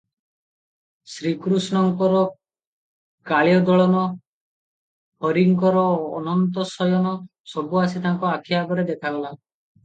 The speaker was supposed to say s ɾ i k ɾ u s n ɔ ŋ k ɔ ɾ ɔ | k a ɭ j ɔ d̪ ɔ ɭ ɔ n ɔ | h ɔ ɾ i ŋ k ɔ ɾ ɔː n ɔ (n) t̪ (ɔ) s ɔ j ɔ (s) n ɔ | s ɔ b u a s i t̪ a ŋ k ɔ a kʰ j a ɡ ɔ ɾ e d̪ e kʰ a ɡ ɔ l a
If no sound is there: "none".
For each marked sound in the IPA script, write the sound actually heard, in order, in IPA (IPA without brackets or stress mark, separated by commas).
n, ɔ, none